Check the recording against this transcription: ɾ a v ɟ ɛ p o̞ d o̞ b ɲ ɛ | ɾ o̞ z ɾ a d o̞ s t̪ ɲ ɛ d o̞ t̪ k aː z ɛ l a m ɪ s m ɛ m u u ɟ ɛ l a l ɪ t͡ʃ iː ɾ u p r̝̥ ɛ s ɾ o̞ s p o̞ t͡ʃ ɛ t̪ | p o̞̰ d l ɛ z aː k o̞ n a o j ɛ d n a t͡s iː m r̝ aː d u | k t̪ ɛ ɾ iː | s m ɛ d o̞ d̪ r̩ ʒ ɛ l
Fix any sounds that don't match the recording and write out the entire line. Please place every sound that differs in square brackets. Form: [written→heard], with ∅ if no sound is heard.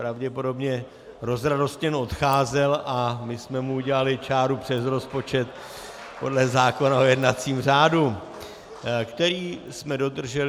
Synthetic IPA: ɾ a v ɟ ɛ p o̞ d o̞ b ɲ ɛ | ɾ o̞ z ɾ a d o̞ s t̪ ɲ ɛ [d→n] o̞ t̪ [k→x] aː z ɛ l a m ɪ s m ɛ m u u ɟ ɛ l a l ɪ t͡ʃ [iː→aː] ɾ u p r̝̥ ɛ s ɾ o̞ s p o̞ t͡ʃ ɛ t̪ | p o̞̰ d l ɛ z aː k o̞ n a o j ɛ d n a t͡s iː m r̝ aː d u | k t̪ ɛ ɾ iː | s m ɛ d o̞ d̪ r̩ ʒ ɛ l